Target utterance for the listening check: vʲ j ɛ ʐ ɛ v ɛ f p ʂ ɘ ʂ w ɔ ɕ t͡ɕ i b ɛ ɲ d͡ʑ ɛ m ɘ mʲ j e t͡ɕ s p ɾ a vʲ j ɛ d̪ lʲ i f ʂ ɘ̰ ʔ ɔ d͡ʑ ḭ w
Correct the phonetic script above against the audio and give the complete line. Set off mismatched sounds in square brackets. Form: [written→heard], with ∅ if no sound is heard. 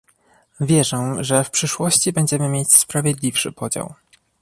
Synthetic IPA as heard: vʲ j ɛ ʐ ɛ [v→ʐ] ɛ f p ʂ ɘ ʂ w ɔ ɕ t͡ɕ i b ɛ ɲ d͡ʑ ɛ m ɘ mʲ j e t͡ɕ s p ɾ a vʲ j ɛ d̪ lʲ i f ʂ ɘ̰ [ʔ→p] ɔ d͡ʑ [ḭ→a̰] w